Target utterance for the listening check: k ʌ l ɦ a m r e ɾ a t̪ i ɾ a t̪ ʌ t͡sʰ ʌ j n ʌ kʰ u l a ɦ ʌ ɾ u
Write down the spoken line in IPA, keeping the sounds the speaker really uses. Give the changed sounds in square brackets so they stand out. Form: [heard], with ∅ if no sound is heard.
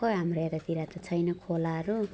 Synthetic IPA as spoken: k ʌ [∅] ɦ a m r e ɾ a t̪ i ɾ a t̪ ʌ t͡sʰ ʌ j n ʌ kʰ [o] l a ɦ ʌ ɾ u